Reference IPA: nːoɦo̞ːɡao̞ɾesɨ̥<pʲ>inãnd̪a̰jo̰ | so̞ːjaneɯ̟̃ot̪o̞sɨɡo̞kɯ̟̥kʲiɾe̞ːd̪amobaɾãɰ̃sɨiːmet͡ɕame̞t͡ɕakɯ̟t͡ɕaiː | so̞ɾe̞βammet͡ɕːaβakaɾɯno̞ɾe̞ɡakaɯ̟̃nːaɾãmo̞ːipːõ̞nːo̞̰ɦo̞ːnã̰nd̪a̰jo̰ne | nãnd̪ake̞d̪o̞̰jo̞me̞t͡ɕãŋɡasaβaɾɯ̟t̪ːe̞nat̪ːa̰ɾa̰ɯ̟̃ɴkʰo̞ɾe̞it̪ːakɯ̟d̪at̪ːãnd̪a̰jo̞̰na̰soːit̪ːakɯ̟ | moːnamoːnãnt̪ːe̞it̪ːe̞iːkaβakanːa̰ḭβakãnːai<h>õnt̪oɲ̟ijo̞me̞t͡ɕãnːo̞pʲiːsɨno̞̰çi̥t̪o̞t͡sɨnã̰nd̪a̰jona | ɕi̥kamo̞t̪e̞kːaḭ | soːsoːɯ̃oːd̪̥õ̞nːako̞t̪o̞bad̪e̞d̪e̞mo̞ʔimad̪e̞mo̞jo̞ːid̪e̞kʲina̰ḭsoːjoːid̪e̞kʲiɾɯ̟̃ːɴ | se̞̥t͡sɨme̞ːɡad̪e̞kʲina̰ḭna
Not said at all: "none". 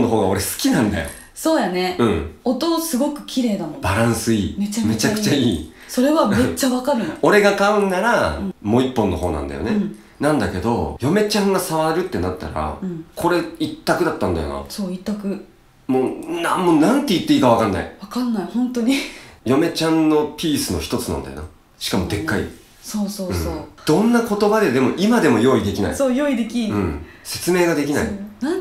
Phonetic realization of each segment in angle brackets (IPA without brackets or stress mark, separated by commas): kʲ, h